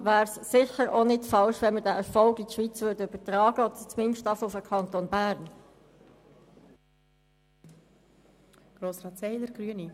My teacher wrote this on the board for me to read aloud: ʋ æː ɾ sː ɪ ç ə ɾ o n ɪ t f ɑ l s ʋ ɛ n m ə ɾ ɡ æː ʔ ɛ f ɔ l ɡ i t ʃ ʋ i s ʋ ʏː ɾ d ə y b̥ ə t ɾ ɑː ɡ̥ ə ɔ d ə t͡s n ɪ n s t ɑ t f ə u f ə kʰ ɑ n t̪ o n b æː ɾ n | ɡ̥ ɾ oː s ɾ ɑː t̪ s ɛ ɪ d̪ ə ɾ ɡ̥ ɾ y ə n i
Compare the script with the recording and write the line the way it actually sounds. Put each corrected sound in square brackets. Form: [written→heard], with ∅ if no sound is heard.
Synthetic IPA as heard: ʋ æː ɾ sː ɪ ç ə ɾ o n ɪ t f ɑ l [s→ʃ] ʋ ɛ n m ə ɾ [ɡ→d] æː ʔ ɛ f ɔ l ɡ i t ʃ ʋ i [s→t͡s] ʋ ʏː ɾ d ə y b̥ ə t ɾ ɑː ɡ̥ ə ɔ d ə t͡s [n→m] ɪ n [s→ʃ] t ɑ [t→∅] f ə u f ə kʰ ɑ n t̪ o n b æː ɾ n | ɡ̥ ɾ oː s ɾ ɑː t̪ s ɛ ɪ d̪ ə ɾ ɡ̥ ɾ y ə n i